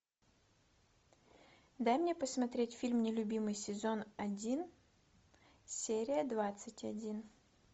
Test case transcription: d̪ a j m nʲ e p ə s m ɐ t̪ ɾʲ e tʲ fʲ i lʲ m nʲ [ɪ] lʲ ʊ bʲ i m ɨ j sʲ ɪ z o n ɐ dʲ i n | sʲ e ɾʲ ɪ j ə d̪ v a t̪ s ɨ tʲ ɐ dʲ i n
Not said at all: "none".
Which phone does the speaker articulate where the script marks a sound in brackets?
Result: ɪ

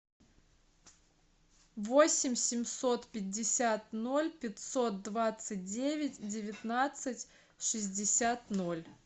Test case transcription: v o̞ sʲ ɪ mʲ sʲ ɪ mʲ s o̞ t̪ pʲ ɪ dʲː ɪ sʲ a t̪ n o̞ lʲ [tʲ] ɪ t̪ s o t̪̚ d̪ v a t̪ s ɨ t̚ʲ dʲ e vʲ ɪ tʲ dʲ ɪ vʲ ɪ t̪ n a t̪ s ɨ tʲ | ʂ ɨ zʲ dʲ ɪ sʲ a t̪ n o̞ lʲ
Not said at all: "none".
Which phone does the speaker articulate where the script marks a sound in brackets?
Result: pʲ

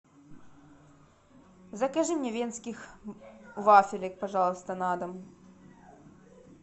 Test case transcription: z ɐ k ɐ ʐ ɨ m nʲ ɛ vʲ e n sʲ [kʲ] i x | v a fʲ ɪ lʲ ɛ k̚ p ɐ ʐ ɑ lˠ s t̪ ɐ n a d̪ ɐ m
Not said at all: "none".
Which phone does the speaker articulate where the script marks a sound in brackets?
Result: kʲ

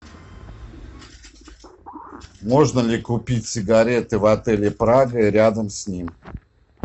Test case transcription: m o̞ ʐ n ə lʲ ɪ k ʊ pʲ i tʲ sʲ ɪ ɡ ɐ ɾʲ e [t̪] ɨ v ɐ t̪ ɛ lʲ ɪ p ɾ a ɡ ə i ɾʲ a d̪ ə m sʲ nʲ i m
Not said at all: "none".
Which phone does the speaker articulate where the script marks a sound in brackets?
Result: t̪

